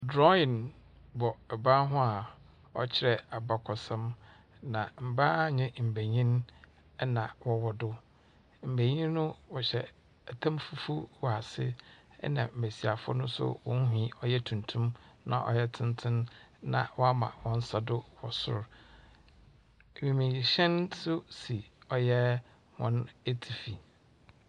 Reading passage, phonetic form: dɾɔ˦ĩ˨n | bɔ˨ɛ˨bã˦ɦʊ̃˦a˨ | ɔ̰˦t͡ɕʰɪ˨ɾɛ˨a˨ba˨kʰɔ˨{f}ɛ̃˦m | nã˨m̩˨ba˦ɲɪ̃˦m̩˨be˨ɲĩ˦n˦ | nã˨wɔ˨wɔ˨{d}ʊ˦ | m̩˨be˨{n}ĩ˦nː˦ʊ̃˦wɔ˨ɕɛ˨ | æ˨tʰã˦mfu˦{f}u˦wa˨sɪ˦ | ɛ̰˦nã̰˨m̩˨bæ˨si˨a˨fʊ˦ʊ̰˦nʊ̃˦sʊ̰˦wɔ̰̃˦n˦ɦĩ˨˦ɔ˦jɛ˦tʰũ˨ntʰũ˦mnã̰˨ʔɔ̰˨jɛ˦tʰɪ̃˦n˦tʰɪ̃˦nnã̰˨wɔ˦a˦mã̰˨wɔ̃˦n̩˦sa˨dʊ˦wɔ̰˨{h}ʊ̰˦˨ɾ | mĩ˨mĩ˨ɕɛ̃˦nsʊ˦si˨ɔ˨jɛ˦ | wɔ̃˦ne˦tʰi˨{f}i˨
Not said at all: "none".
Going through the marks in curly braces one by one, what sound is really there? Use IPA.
s, d, ɲ, f, s, f

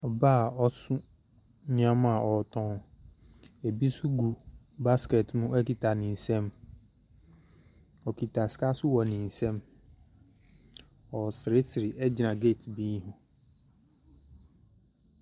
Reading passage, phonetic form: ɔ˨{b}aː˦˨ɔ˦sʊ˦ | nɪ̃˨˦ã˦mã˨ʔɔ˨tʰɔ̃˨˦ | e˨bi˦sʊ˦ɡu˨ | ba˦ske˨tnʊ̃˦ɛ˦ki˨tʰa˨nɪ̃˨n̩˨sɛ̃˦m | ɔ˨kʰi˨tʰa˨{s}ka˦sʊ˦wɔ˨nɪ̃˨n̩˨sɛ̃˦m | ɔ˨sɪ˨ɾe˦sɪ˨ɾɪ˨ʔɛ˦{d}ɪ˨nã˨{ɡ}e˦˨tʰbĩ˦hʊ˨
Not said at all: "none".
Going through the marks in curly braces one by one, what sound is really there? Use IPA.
b, s, d͡ʑ, ɡ

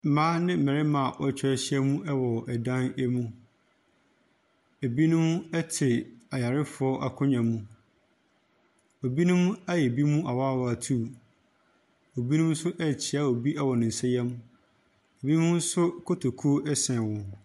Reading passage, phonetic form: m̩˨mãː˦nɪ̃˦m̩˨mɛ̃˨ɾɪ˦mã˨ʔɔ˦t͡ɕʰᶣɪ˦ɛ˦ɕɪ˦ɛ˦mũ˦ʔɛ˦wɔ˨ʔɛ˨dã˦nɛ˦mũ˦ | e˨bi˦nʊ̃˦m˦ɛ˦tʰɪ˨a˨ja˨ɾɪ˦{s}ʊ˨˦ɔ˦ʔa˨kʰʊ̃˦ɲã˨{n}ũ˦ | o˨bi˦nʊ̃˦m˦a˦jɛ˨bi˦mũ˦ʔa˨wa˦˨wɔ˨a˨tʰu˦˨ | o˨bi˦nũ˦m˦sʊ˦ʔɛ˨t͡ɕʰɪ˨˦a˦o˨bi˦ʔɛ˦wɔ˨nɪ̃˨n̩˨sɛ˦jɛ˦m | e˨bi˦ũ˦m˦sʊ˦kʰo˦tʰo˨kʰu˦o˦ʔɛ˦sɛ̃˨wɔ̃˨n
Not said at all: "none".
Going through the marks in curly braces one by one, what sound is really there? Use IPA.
f, m

